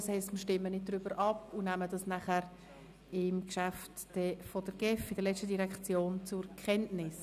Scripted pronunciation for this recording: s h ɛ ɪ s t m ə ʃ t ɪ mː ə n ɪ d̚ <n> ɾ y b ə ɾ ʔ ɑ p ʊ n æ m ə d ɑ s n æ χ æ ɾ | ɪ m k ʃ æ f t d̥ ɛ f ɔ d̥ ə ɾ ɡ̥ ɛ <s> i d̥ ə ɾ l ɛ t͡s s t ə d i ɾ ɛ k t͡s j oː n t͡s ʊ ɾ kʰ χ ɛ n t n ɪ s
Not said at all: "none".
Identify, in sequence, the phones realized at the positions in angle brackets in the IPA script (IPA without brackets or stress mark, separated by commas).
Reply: d, f